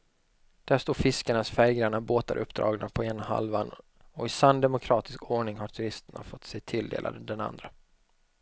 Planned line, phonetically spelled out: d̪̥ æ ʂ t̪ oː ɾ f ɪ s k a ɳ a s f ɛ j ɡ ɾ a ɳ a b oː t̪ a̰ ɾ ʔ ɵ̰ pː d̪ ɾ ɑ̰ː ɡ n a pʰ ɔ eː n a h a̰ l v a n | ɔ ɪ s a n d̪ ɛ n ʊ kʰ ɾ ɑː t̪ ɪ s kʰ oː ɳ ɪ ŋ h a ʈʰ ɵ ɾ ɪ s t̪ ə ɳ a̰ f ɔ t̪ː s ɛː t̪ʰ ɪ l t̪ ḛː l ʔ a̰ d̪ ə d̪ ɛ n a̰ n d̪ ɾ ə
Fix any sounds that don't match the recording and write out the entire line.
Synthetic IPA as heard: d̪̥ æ ʂ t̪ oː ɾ f ɪ s k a ɳ a s f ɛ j ɡ ɾ a ɳ a b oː t̪ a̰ ɾ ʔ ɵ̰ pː d̪ ɾ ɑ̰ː ɡ n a pʰ ɔ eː n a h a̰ l v a n | ɔ ɪ s a n d̪ ɛ m ʊ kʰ ɾ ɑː t̪ ɪ s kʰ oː ɳ ɪ ŋ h a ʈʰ ɵ ɾ ɪ s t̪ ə ɳ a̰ f ɔ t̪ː s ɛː t̪ʰ ɪ l d̪ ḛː l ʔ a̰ d̪ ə d̪ ɛ n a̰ n d̪ ɾ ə